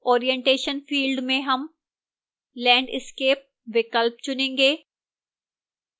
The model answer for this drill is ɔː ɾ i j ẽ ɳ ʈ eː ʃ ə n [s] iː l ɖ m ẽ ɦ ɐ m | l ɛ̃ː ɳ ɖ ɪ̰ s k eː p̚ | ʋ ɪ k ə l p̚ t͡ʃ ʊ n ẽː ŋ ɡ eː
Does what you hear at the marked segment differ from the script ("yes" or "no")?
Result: yes